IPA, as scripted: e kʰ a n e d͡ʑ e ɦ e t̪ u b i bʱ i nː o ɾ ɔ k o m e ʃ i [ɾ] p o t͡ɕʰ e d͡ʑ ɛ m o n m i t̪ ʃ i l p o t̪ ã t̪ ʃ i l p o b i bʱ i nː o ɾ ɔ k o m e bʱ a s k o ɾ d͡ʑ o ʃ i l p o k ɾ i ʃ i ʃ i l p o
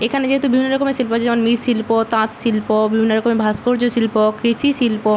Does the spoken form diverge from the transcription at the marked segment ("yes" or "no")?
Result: yes